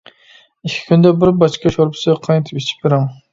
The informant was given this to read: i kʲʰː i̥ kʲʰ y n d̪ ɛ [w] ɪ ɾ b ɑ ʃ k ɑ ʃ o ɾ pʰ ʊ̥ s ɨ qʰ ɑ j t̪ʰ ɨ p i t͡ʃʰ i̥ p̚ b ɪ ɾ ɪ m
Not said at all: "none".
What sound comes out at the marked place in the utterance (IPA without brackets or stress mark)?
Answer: b